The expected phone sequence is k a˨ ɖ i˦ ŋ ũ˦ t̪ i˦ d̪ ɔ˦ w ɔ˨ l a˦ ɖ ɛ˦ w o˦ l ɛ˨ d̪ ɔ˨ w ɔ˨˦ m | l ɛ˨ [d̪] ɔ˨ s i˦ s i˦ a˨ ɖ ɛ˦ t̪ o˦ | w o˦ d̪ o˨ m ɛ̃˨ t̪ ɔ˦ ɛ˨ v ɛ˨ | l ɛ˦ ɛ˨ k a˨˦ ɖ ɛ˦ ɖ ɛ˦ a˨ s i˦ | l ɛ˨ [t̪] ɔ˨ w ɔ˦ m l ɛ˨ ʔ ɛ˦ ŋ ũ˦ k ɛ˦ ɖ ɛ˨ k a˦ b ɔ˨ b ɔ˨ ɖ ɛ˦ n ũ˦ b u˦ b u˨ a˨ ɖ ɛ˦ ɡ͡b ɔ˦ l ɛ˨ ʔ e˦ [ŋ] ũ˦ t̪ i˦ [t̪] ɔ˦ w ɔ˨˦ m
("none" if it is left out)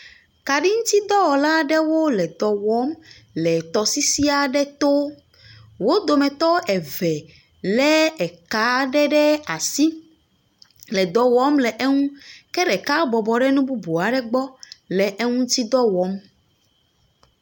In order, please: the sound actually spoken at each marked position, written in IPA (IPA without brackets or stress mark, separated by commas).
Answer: t̪, d̪, ŋ, d̪